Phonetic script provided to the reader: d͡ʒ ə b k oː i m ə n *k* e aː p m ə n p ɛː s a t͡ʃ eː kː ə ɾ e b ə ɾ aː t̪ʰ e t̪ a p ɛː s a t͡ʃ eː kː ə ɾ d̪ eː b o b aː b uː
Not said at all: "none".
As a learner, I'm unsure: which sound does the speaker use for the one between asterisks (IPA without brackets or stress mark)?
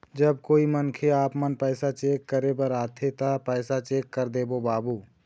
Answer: kʰ